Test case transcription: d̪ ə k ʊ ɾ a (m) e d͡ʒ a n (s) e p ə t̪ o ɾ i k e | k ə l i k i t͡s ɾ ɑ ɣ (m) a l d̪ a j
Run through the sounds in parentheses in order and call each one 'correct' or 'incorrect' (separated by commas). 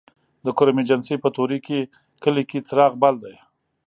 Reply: correct, correct, incorrect